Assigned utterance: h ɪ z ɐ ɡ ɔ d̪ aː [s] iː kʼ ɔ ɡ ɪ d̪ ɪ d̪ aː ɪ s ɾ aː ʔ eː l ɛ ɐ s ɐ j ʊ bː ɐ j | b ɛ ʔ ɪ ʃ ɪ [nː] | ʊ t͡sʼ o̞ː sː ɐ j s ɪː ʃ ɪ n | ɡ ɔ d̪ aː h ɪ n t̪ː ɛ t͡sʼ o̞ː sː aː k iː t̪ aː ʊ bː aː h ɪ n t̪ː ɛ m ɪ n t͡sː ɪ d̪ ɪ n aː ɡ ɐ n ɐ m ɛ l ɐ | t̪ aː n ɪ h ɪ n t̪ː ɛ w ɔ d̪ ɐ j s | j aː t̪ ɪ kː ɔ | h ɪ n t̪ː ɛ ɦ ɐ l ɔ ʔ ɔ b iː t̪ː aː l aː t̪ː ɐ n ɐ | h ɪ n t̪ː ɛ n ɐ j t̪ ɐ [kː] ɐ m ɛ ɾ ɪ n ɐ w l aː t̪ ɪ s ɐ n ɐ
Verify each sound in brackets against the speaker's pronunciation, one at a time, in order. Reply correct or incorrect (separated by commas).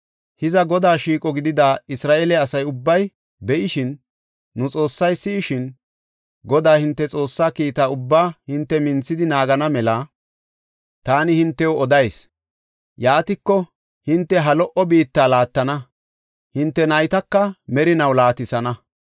incorrect, correct, correct